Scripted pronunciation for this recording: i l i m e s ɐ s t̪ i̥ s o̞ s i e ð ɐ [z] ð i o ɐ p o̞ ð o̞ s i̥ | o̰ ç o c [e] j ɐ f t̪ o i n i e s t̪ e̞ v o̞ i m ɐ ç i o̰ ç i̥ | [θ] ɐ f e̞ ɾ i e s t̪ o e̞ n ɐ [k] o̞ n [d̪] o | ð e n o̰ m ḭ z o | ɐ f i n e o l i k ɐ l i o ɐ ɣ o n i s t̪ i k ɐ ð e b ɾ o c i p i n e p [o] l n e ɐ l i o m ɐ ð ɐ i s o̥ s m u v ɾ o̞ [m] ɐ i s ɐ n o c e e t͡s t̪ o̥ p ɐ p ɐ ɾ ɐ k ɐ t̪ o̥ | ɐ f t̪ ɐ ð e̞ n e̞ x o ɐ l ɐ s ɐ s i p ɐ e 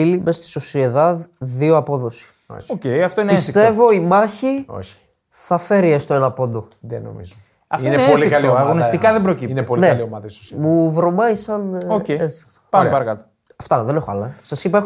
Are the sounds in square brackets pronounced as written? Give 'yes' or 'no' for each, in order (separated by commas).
no, yes, yes, no, yes, yes, yes